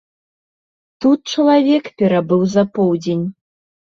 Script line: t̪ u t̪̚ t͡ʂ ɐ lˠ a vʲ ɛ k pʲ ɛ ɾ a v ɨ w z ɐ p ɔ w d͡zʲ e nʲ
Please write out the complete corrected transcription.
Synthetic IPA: t̪ u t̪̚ t͡ʂ ɐ lˠ a vʲ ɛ k pʲ ɛ ɾ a b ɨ w z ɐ p ɔ w d͡zʲ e nʲ